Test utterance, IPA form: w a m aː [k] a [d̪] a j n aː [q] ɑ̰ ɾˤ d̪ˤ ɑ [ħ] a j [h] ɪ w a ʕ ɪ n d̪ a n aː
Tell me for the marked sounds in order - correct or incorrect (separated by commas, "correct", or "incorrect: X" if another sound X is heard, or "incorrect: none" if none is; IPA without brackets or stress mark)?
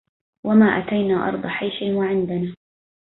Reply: incorrect: ʔ, incorrect: t̪, incorrect: ʔ, correct, incorrect: ʃ